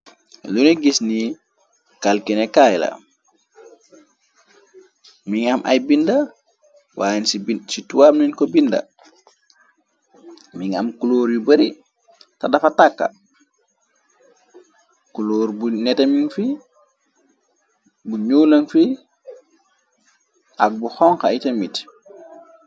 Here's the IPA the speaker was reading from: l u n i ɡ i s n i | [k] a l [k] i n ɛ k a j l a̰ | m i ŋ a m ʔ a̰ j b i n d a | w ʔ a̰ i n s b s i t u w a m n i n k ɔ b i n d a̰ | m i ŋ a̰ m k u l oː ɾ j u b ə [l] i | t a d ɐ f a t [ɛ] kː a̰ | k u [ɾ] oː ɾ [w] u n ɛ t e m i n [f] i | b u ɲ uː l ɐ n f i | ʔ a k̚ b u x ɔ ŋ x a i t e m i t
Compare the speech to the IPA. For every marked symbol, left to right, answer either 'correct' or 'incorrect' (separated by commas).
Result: correct, correct, incorrect, incorrect, incorrect, incorrect, correct